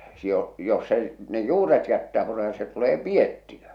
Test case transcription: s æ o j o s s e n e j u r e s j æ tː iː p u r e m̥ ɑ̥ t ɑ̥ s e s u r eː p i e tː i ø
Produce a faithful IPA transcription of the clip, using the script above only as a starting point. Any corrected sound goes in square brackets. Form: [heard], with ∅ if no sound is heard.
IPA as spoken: s [i] o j o s s e n e j [uː] r e [t] j æ tː [æː] p u r e m̥ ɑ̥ t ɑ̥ s e [t] u [l] eː p i e tː i ø